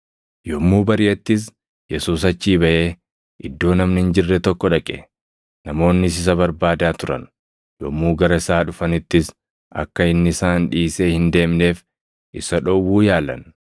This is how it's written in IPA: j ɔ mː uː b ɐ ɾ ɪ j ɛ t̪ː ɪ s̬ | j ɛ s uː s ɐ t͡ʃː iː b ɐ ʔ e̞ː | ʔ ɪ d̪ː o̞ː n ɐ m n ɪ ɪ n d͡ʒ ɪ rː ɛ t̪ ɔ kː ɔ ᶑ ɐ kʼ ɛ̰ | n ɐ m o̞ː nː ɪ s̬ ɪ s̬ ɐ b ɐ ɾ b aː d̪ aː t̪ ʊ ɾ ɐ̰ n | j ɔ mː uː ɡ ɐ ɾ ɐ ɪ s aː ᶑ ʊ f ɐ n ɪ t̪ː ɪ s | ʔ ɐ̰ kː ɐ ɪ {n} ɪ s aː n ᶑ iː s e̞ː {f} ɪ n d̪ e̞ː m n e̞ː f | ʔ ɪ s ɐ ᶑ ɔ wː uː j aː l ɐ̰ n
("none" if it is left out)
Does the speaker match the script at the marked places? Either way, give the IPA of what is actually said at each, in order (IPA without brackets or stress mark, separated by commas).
nː, h